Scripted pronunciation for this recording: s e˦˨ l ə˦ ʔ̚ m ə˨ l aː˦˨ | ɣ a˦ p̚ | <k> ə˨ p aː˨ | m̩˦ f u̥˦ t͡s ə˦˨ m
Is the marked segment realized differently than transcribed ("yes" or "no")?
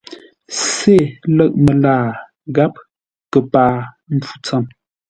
no